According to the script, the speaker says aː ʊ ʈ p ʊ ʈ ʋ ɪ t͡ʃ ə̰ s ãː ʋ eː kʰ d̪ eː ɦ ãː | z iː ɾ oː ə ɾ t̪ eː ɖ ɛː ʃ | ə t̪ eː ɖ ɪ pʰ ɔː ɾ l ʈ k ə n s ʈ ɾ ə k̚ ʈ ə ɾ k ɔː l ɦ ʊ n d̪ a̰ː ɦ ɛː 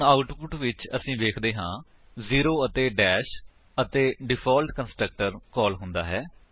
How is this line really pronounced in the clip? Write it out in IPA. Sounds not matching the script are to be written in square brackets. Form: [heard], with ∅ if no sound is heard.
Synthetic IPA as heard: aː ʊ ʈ p ʊ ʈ ʋ ɪ t͡ʃ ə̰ s [ĩː] ʋ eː kʰ d̪ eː ɦ ãː | z iː ɾ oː ə [∅] t̪ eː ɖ ɛː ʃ | ə t̪ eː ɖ ɪ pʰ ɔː [∅] l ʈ k ə n s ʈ ɾ ə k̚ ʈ ə ɾ k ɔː l ɦ ʊ n d̪ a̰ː ɦ ɛː